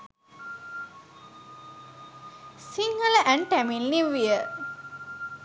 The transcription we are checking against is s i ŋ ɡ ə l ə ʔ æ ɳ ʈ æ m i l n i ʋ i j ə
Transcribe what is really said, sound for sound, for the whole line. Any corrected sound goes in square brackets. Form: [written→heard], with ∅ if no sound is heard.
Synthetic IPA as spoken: s i ŋ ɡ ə l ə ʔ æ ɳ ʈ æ m i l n i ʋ i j ə